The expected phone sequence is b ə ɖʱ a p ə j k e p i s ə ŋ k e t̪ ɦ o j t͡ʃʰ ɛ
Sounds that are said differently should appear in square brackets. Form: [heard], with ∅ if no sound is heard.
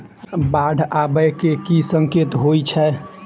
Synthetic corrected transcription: b [a] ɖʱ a [b] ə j k e [k] i s ə ŋ k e t̪ ɦ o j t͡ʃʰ ɛ